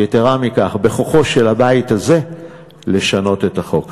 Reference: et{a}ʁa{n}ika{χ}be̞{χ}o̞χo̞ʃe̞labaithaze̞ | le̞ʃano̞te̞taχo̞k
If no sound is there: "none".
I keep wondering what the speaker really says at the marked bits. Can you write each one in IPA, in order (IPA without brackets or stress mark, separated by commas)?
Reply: e, m, χ, χ